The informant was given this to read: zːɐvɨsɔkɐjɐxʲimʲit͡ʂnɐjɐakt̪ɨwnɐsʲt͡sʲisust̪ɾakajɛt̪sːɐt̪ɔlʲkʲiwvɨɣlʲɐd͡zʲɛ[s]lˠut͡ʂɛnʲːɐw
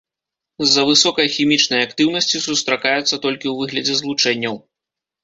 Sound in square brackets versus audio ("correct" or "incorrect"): incorrect